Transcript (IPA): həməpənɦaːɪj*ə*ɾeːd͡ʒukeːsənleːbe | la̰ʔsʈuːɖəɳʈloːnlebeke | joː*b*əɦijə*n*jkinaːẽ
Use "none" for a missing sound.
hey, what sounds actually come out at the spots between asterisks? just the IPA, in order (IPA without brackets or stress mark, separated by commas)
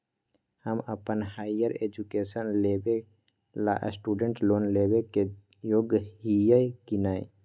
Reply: ə, ɡ, none